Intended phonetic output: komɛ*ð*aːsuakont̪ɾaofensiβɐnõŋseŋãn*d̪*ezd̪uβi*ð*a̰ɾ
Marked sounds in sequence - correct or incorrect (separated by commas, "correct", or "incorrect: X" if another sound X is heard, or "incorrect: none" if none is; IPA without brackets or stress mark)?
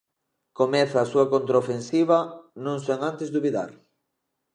incorrect: θ, incorrect: t̪, correct